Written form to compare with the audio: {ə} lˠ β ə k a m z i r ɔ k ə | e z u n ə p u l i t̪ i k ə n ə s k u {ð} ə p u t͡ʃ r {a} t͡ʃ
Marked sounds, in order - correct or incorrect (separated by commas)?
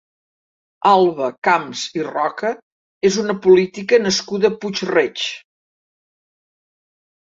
incorrect, correct, incorrect